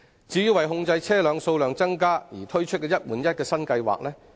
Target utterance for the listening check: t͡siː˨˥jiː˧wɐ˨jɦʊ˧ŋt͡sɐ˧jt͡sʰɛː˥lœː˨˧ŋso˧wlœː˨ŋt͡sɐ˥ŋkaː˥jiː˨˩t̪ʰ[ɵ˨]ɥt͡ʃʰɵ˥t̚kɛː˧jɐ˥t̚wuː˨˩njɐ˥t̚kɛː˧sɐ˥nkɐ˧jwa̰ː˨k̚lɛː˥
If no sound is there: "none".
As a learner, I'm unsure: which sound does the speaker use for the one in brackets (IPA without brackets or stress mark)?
ɵ˥